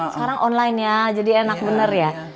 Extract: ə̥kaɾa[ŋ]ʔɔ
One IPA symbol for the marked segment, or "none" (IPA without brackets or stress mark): ŋ